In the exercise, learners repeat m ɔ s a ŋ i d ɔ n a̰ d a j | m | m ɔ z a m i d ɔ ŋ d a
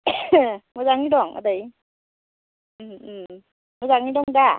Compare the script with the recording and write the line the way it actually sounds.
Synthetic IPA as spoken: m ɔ z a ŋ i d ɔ ŋ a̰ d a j | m | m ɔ z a ŋ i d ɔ ŋ d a

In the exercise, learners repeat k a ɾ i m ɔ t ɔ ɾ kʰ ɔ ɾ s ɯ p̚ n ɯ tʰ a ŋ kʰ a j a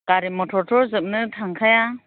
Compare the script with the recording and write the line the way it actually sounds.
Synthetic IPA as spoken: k a ɾ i m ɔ tʰ ɔ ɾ tʰ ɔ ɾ z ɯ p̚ n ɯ tʰ a ŋ kʰ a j a

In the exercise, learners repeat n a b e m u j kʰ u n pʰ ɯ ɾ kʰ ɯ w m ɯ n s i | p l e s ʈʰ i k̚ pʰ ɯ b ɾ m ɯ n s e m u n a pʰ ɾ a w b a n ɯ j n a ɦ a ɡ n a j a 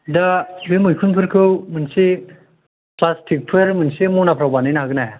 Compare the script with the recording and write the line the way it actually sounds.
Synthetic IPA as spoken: d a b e m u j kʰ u n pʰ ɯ ɾ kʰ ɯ w m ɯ n s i | p l a s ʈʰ i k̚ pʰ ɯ ɾ m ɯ n s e m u n a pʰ ɾ a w b a n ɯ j n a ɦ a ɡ n a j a

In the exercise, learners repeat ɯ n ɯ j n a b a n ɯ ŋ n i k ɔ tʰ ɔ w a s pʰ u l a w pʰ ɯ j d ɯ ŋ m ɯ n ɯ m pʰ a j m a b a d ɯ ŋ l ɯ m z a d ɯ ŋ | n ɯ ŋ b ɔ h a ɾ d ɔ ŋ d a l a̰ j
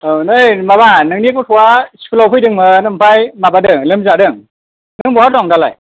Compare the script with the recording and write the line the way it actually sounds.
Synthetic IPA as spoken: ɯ n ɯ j m a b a n ɯ ŋ n i k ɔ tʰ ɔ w a s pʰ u l a w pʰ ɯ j d ɯ ŋ m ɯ n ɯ m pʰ a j m a b a d ɯ ŋ l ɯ m z a d ɯ ŋ | n ɯ ŋ b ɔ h a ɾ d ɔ ŋ d a l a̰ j

